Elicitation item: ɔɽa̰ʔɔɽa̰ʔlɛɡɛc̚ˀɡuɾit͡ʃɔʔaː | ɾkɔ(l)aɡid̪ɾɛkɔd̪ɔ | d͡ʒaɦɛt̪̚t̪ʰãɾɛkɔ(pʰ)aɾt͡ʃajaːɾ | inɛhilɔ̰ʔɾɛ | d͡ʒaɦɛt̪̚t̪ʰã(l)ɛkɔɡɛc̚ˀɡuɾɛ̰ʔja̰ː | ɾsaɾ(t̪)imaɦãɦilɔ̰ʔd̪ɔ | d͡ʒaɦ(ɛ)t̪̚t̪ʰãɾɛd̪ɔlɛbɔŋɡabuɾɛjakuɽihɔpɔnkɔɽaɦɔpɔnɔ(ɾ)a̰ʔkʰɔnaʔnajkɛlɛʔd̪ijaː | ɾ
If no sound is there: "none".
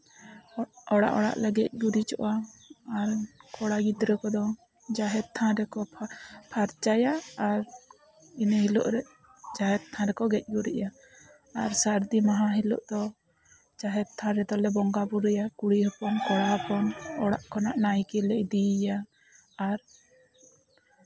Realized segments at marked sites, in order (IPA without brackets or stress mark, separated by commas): ɽ, pʰ, ɾ, d̪, ɛ, ɽ